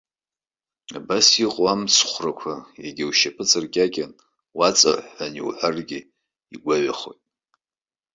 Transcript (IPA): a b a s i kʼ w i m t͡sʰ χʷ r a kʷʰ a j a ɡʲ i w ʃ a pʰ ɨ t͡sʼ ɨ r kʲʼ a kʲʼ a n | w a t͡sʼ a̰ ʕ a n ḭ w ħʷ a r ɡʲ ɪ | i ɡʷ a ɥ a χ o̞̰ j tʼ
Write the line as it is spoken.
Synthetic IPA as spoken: a b a s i qʼ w a m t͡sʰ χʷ r a kʷʰ a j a ɡʲ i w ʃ a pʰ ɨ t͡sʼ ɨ r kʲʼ a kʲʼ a n | w a t͡sʼ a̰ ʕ a n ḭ w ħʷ a r ɡʲ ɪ | i ɡʷ a ɥ a χ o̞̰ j tʼ